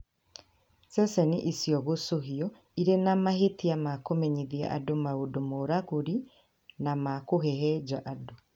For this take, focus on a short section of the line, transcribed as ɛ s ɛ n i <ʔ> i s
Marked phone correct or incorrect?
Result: correct